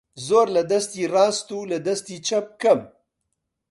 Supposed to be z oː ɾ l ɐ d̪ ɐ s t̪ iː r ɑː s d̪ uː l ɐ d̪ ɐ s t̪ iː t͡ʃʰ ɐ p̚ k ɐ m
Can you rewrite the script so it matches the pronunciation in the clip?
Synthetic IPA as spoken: z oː ɾ l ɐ d̪ ɐ s t̪ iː r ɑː s t̪ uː l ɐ d̪ ɐ s t̪ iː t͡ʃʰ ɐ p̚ k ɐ m